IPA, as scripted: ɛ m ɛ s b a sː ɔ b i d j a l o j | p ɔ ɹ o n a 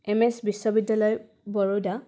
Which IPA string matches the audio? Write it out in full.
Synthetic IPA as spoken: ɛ m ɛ s b i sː ɔ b i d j a l ɔ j | b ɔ ɹ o d a